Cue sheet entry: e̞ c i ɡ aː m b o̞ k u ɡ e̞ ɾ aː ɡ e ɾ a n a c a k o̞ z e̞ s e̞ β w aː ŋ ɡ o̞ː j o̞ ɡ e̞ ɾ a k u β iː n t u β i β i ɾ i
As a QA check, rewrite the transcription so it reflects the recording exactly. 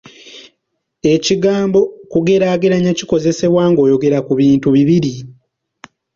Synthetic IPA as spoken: e̞ c i ɡ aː m b o̞ k u ɡ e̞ ɾ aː ɡ e ɾ a ɲ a c i k o̞ z e̞ s e̞ β w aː ŋ ɡ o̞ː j o̞ ɡ e̞ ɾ a k u β iː n t u β i β i ɾ i